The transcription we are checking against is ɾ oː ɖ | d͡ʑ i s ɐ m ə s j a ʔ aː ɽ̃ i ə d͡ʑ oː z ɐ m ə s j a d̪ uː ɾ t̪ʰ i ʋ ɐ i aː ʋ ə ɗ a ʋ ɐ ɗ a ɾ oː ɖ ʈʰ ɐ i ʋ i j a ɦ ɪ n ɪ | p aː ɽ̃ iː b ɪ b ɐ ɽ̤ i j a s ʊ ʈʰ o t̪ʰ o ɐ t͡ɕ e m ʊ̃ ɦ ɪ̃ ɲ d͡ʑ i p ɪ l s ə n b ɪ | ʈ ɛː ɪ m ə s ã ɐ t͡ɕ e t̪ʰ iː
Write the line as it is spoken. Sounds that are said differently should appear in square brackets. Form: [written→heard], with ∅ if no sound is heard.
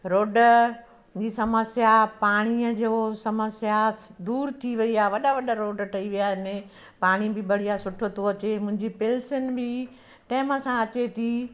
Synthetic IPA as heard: ɾ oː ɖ | d͡ʑ i s ɐ m ə s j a [ʔ→p] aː ɽ̃ i ə d͡ʑ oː [z→s] ɐ m ə s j a d̪ uː ɾ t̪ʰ i ʋ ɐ i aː ʋ [ə→ɐ] ɗ a ʋ ɐ ɗ a ɾ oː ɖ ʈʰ ɐ i ʋ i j a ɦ ɪ n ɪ | p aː ɽ̃ [iː→i] b ɪ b ɐ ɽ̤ i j a s ʊ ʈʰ o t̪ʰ o ɐ t͡ɕ e m ʊ̃ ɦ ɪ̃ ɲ d͡ʑ i p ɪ l s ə n b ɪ | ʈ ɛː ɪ m ə s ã ɐ t͡ɕ e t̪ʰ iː